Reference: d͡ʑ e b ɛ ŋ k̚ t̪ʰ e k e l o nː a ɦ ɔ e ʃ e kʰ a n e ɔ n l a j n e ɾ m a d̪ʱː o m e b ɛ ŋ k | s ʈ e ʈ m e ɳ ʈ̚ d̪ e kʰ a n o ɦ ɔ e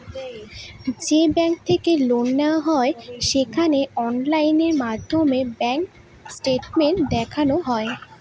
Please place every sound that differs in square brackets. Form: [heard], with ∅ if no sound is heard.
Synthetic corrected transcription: d͡ʑ e b ɛ ŋ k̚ t̪ʰ e k e l o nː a ɦ ɔ e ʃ e kʰ a n e ɔ n l a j n e ɾ m a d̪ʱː o m e b ɛ ŋ k | s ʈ e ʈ m e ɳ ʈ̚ d̪ [ɛ] kʰ a n o ɦ ɔ e